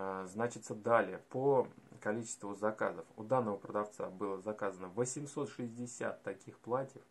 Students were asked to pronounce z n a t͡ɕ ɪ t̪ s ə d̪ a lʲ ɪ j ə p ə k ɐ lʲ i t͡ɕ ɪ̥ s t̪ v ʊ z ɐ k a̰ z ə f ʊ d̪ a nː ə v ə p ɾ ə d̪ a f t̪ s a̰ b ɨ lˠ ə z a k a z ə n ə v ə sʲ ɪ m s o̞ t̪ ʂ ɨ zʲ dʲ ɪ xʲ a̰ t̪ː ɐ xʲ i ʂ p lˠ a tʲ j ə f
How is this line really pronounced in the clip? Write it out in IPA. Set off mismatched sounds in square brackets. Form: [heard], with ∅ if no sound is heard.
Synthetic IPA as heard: z n a t͡ɕ ɪ t̪ s ə d̪ a lʲ ɪ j ə p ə k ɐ lʲ i t͡ɕ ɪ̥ s t̪ v ʊ z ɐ k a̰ z ə f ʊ d̪ a nː ə v ə p ɾ ə d̪ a f t̪ s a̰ b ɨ lˠ ə z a k a z ə n ə v ə sʲ ɪ m s o̞ t̪ ʂ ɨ zʲ dʲ ɪ [sʲ] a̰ t̪ː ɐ [kʲ] i [x] p lˠ a tʲ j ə f